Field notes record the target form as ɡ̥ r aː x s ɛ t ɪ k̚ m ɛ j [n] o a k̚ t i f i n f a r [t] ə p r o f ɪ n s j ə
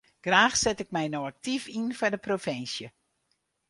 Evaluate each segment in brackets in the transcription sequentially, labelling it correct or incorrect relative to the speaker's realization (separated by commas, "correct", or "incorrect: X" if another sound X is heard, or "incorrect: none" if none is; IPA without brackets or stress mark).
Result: correct, incorrect: d